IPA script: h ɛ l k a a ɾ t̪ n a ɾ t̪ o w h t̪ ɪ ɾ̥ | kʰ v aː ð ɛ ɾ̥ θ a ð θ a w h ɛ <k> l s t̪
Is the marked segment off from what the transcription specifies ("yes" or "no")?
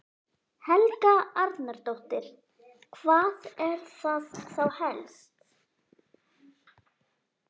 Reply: yes